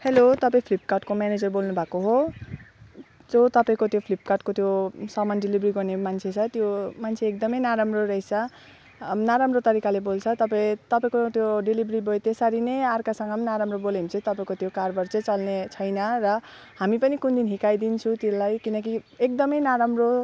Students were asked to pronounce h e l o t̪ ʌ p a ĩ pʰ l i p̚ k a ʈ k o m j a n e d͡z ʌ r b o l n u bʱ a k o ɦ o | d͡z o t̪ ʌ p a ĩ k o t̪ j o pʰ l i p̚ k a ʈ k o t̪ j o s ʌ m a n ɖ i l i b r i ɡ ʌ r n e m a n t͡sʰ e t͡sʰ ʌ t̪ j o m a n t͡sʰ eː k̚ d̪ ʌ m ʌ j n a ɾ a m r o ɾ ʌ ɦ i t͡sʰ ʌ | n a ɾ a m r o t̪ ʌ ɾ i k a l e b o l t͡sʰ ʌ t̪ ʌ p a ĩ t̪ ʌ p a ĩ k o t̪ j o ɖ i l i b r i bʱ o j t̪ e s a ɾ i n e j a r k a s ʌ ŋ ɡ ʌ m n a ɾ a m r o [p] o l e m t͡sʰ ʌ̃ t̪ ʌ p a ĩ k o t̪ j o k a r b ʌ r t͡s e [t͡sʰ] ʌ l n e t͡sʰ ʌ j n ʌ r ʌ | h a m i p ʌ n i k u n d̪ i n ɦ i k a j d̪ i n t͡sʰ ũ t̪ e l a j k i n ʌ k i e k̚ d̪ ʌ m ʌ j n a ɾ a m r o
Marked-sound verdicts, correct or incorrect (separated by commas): incorrect, incorrect